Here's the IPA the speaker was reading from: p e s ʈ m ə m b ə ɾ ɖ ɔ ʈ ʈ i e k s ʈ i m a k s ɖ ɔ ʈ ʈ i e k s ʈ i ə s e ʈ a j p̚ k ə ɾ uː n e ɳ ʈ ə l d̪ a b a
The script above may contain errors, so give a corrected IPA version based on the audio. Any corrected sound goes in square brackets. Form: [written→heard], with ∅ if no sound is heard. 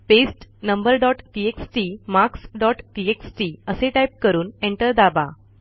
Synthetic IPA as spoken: p e s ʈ [m→n] ə m b ə ɾ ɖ ɔ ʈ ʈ i e k s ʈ i m a k s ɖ ɔ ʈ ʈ i e k s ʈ i ə s e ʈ a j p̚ k ə ɾ uː n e ɳ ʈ ə [l→ɾ] d̪ a b a

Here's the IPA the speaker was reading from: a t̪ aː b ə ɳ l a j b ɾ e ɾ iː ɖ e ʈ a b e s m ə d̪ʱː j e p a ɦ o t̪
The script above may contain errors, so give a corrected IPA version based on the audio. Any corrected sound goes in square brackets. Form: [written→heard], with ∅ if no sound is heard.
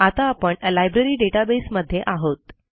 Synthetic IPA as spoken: a t̪ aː [b→p] ə ɳ l a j b ɾ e ɾ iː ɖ e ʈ a b e s m ə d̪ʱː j e [p→ʔ] a ɦ o t̪

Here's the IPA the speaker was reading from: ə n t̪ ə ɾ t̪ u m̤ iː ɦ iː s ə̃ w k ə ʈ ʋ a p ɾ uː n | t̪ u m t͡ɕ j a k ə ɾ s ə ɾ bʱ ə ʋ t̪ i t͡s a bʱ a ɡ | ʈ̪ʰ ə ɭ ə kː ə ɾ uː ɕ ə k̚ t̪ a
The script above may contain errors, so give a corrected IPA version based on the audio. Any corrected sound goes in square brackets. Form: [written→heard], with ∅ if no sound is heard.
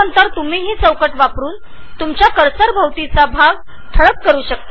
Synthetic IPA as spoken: ə n t̪ ə ɾ t̪ u m̤ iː ɦ iː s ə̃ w k ə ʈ ʋ a p ɾ uː n | t̪ u m t͡ɕ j a k ə ɾ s ə ɾ bʱ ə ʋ t̪ i t͡s a bʱ a ɡ | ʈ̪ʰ ə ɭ ə kː ə ɾ uː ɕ ə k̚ t̪ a

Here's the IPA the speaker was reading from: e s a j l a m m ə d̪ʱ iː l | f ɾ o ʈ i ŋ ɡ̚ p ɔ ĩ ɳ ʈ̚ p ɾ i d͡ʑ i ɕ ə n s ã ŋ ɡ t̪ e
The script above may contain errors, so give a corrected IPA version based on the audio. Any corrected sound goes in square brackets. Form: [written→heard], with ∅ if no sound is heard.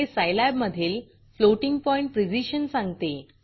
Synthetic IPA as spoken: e s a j l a [m→b] m ə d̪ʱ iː l | f [ɾ→l] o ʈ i ŋ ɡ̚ p ɔ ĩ ɳ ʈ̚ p ɾ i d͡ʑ i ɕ ə n s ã ŋ ɡ t̪ e

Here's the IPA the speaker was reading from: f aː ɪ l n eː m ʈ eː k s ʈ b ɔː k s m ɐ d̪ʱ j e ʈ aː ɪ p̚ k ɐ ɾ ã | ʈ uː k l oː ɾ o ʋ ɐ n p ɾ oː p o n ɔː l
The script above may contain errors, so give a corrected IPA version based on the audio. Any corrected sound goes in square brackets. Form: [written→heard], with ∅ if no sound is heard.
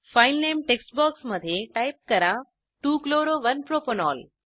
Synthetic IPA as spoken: f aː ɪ l n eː m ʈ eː k s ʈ b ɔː k s m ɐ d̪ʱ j e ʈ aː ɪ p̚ k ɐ ɾ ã | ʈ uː k l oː ɾ o ʋ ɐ n p ɾ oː p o n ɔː l

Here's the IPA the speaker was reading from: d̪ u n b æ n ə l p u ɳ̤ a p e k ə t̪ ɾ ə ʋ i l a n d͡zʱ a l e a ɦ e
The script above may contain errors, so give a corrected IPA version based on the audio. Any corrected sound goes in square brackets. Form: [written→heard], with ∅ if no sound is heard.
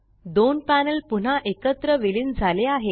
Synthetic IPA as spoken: d̪ [u→o] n [b→p] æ n ə l p u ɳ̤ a [p→ʔ] e k ə t̪ ɾ ə ʋ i l [a→i] n d͡zʱ a l e a ɦ e

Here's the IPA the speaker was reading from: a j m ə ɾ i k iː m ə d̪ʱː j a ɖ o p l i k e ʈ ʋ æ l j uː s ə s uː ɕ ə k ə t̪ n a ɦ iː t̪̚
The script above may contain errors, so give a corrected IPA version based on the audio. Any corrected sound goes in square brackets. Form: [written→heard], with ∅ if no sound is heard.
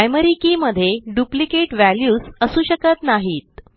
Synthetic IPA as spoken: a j m ə ɾ i k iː m ə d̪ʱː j [a→e] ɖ [o→u] p l i k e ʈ ʋ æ l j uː s ə s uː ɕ ə k ə t̪ n a ɦ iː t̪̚

